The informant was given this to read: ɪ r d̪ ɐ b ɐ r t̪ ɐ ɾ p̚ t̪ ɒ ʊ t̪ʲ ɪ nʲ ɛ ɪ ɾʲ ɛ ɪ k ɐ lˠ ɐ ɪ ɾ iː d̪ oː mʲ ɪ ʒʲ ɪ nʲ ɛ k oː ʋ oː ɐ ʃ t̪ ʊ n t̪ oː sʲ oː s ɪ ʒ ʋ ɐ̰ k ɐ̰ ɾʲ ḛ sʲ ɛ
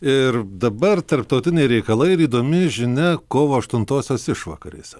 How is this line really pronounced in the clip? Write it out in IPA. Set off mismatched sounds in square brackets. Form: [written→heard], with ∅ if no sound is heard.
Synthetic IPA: ɪ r d̪ ɐ b ɐ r t̪ ɐ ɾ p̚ t̪ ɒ ʊ t̪ʲ ɪ nʲ ɛ ɪ ɾʲ ɛ ɪ k ɐ lˠ ɐ ɪ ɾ iː d̪ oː mʲ ɪ ʒʲ ɪ nʲ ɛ k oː ʋ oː ɐ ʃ t̪ ʊ n t̪ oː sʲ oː s ɪ [ʒ→ʃ] ʋ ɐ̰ k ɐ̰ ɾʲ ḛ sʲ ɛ